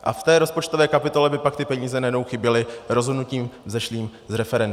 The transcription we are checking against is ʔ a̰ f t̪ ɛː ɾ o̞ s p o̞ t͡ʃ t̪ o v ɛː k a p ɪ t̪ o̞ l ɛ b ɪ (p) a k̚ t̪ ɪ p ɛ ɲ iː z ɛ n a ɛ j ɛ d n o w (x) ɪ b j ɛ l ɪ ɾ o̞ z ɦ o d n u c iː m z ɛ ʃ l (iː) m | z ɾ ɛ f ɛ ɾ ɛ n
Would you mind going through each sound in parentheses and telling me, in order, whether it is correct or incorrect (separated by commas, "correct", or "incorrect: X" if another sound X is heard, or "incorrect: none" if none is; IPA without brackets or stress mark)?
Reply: correct, correct, correct